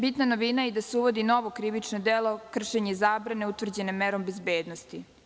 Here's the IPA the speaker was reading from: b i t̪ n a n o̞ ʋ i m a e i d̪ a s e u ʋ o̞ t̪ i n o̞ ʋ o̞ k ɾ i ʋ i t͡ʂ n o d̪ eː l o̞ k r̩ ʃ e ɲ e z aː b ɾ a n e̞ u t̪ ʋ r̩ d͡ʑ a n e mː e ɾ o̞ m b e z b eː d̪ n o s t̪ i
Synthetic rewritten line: b i t̪ n a n o̞ ʋ i n a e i d̪ a s e u ʋ o̞ d̪ i n o̞ ʋ o̞ k ɾ i ʋ i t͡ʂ n o d̪ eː l o̞ k r̩ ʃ e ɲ e z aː b ɾ a n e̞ u t̪ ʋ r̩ d͡ʑ e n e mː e ɾ o̞ m b e z b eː d̪ n o s t̪ i